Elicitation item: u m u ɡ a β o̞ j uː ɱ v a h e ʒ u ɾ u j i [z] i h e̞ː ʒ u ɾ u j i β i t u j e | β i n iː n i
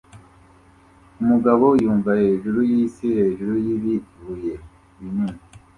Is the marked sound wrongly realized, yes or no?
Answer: yes